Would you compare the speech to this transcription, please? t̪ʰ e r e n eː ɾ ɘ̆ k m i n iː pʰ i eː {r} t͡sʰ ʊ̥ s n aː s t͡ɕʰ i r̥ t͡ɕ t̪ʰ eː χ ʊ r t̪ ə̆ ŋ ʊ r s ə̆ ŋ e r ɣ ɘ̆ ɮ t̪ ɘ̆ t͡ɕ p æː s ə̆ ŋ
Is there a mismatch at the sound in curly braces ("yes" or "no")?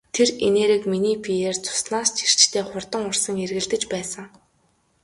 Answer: no